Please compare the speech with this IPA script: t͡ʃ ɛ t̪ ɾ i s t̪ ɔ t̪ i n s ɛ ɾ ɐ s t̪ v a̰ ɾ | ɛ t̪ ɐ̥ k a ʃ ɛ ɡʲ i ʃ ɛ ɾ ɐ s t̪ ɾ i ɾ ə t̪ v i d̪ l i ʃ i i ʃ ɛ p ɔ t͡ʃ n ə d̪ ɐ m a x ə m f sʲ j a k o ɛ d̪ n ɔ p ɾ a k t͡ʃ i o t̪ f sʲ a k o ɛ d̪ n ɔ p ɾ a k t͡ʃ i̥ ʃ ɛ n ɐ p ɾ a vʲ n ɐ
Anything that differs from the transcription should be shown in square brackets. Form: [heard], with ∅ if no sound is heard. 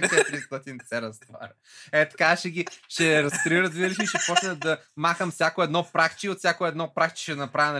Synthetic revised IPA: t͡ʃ ɛ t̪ ɾ i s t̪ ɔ t̪ i n s ɛ ɾ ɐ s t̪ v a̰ ɾ | ɛ t̪ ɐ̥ k a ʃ ɛ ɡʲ i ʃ ɛ ɾ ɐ s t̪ ɾ i ɾ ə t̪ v i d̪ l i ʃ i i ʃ ɛ p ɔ t͡ʃ n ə d̪ ɐ m a x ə m f sʲ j a k o ɛ d̪ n ɔ p ɾ a k t͡ʃ i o t̪ f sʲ a k o ɛ d̪ n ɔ p ɾ a k t͡ʃ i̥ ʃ ɛ n ɐ p ɾ a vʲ n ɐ